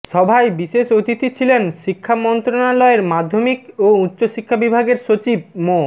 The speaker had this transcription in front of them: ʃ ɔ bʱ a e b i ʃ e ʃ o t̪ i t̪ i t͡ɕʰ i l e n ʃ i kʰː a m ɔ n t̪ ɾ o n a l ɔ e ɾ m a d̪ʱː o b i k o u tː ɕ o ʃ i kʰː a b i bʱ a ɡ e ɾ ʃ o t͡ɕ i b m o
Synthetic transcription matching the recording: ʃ ɔ bʱ a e b i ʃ e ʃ o t̪ i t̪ i t͡ɕʰ i l e n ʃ i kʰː a m ɔ n t̪ ɾ o n a l ɔ e ɾ m a d̪ʱː o m i k o u tː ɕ o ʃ i kʰː a b i bʱ a ɡ e ɾ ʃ o t͡ɕ i b m o